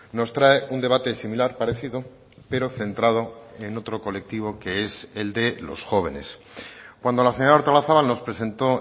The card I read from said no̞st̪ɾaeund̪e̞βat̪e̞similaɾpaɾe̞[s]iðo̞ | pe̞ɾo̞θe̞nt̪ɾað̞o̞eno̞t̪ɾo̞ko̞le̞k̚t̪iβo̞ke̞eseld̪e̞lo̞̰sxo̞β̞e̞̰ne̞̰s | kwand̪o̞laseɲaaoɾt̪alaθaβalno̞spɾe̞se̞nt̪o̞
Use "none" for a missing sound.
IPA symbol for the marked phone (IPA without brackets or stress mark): θ